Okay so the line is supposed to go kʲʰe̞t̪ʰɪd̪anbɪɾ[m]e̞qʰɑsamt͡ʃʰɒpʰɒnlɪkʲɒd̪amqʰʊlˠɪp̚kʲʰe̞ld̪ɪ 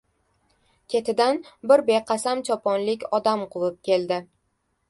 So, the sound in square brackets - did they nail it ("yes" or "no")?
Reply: no